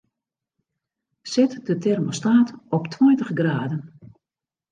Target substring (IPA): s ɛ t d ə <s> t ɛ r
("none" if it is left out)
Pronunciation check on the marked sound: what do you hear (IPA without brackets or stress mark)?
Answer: none